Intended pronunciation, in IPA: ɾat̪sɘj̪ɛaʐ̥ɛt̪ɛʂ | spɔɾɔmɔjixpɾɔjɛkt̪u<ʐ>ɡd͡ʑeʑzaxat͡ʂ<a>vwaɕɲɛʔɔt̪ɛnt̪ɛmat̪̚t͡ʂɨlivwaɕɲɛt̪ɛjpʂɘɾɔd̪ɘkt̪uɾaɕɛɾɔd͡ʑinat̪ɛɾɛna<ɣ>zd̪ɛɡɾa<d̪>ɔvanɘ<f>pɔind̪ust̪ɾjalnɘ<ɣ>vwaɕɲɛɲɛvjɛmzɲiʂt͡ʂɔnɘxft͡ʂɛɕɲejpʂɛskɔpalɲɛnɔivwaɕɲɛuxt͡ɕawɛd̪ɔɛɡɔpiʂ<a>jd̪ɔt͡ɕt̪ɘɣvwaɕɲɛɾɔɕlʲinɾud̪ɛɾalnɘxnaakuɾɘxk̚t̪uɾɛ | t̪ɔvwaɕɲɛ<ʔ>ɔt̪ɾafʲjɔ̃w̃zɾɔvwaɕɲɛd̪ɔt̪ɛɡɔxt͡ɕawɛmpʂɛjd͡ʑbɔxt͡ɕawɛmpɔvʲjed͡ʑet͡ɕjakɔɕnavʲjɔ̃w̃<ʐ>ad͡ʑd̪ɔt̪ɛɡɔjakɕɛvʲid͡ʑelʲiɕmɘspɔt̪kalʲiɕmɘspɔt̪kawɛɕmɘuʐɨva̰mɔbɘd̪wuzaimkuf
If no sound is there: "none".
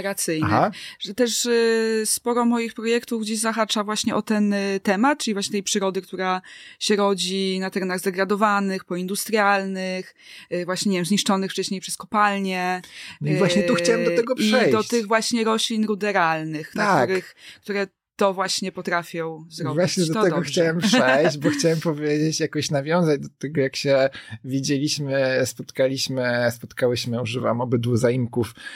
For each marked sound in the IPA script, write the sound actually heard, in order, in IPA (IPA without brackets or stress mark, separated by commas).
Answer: v, a, ɣ, d̪, x, x, ɛ, p, z